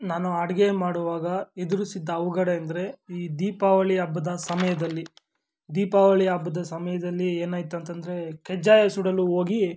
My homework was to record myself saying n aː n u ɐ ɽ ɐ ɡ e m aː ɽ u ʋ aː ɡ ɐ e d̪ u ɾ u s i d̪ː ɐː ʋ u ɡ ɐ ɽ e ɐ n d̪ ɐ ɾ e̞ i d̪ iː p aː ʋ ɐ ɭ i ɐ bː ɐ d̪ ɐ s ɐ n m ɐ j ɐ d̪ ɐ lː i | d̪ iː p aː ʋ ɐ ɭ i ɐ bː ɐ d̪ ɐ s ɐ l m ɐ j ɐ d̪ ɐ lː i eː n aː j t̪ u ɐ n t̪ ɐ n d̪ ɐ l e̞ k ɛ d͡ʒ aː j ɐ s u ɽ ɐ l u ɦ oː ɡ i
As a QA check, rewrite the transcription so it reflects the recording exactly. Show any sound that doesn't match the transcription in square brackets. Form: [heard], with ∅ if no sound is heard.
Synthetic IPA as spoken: n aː n u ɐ ɽ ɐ ɡ e m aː ɽ u ʋ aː ɡ ɐ e d̪ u ɾ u s i d̪ː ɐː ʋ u ɡ ɐ ɽ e ɐ n d̪ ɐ ɾ e̞ [iː] d̪ iː p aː ʋ ɐ ɭ i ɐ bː ɐ d̪ ɐ s ɐ [∅] m ɐ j ɐ d̪ ɐ lː i | d̪ iː p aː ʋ ɐ ɭ i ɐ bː ɐ d̪ ɐ s ɐ [∅] m ɐ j ɐ d̪ ɐ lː i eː n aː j t̪ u ɐ n t̪ ɐ n d̪ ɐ [ɾ] e̞ k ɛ d͡ʒ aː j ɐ s u ɽ ɐ l u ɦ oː ɡ i